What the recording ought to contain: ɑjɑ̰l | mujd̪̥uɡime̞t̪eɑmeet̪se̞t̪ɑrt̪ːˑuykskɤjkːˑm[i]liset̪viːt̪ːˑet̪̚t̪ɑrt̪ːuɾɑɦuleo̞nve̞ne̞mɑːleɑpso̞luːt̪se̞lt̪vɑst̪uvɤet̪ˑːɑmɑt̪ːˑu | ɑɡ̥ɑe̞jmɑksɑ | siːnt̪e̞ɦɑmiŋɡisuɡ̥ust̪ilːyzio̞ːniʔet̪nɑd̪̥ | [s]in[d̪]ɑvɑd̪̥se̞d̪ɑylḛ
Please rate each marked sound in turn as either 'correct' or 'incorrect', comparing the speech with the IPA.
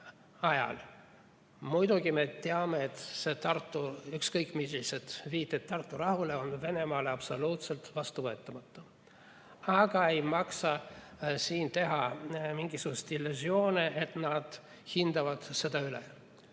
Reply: correct, incorrect: h, correct

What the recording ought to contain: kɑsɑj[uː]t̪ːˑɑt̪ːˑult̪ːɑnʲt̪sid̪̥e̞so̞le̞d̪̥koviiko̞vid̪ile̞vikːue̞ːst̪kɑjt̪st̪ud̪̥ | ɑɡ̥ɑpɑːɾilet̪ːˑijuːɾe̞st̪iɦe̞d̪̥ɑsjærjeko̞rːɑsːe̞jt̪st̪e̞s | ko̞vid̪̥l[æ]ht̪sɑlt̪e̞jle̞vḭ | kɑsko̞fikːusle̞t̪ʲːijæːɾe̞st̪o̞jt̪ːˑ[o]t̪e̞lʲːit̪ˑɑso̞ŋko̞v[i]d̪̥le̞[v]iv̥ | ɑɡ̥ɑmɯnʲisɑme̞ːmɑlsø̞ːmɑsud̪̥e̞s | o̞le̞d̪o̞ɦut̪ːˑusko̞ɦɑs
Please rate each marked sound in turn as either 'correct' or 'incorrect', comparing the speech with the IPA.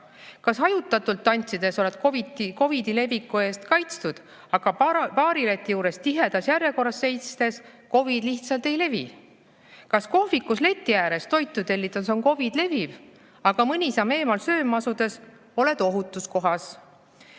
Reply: incorrect: u, incorrect: i, incorrect: u, correct, correct

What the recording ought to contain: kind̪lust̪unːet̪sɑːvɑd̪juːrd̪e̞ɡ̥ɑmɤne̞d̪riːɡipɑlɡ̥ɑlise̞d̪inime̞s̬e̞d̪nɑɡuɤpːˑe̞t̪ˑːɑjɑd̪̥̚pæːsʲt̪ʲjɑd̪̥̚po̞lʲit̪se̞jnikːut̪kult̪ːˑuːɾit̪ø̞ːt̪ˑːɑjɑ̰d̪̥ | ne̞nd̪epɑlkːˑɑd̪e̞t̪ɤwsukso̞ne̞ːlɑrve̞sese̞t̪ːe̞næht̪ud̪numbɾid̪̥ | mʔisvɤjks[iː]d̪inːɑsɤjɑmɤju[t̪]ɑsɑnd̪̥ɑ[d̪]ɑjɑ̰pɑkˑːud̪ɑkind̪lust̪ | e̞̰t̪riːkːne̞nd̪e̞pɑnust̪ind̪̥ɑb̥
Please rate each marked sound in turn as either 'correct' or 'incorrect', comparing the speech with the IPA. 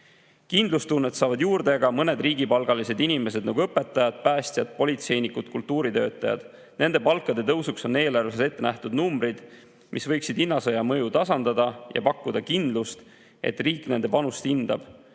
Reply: incorrect: i, correct, correct

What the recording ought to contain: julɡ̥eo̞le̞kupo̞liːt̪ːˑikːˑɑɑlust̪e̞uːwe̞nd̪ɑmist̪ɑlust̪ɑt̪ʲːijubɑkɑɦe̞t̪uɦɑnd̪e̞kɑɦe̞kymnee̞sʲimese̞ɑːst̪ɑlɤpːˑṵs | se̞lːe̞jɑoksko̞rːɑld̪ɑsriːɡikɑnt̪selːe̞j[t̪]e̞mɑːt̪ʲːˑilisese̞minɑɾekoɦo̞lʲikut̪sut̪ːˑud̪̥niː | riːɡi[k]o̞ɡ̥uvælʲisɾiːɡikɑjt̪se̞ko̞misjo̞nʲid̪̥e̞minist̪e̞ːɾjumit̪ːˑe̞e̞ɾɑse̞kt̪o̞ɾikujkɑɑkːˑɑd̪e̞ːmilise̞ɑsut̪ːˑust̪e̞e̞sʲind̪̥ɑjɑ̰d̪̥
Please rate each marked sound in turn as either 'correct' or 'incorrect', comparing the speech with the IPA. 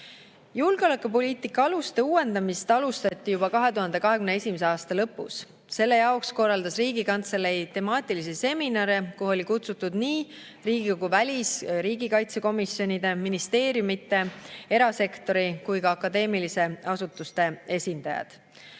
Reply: correct, correct

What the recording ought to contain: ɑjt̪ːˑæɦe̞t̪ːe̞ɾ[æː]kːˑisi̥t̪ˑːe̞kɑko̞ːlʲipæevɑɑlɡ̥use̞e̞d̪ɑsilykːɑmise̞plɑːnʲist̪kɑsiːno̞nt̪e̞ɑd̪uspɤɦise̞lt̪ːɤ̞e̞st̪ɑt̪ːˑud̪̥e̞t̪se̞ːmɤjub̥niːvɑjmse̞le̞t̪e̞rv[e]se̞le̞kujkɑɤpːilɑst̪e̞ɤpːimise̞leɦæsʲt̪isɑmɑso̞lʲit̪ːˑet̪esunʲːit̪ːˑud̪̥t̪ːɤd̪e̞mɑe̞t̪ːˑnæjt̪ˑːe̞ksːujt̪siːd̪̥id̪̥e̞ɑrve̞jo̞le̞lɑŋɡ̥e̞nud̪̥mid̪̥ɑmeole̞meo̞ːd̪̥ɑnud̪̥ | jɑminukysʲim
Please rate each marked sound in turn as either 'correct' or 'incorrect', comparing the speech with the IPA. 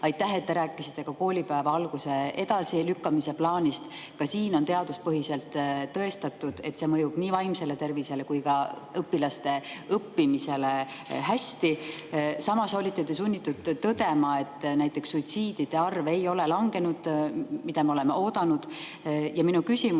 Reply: correct, incorrect: i

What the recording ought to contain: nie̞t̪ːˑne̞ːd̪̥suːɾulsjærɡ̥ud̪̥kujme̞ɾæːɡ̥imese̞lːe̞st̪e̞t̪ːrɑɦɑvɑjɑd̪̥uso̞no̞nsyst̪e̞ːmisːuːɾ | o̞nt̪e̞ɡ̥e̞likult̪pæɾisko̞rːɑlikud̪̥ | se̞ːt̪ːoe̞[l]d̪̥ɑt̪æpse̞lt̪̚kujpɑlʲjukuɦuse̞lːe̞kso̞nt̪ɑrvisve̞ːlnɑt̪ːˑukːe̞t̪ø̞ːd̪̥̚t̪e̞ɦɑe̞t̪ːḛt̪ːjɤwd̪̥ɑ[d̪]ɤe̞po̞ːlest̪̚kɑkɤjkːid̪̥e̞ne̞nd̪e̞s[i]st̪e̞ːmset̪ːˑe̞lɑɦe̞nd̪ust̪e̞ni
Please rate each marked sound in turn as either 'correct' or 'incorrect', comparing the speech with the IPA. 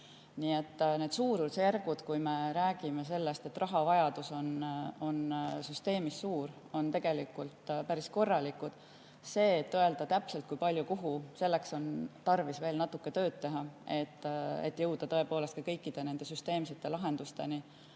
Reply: correct, incorrect: t̪, incorrect: y

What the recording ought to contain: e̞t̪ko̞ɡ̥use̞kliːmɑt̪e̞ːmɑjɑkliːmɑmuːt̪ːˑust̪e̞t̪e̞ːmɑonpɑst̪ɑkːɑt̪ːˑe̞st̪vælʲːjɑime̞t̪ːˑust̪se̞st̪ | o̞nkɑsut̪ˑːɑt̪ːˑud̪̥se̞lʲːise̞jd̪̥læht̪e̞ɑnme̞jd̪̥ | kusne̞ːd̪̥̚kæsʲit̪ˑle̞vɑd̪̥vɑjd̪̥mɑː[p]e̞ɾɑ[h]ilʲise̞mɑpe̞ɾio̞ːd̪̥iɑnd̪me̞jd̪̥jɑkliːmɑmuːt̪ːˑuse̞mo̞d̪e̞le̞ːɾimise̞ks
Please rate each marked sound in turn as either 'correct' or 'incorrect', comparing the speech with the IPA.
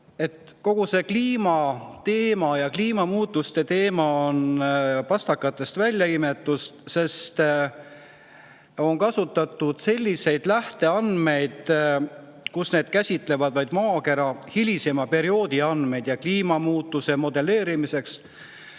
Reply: incorrect: k, correct

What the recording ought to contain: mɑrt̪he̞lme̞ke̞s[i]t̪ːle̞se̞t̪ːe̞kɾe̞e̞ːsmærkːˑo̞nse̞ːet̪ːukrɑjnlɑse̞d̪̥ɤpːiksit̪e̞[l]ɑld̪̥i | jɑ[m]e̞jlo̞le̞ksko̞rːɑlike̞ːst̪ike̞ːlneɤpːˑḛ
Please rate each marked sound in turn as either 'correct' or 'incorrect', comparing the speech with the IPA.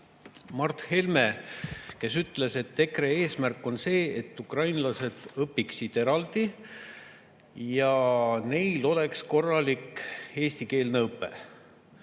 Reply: incorrect: y, incorrect: ɾ, incorrect: n

